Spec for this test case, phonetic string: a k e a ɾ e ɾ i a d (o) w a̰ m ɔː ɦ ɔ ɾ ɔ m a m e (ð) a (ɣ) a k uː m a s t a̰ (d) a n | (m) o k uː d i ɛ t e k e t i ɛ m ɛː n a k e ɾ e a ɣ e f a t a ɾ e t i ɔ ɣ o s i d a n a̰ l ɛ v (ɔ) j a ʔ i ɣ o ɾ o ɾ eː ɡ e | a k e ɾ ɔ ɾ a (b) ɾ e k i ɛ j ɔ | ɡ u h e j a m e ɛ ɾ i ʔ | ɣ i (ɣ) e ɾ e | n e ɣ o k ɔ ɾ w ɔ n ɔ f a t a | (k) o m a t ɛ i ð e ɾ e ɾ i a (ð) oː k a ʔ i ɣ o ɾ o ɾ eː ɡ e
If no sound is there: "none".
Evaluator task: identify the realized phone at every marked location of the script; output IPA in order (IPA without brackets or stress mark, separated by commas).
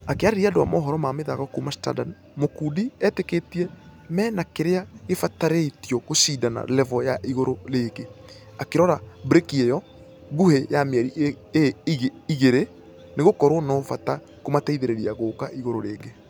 o, ð, ɣ, d, m, ɔ, b, ɣ, k, ɣ